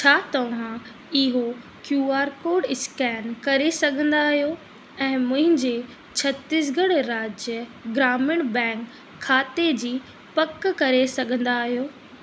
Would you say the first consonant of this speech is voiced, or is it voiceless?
voiceless